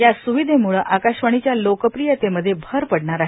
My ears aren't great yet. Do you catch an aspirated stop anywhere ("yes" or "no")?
no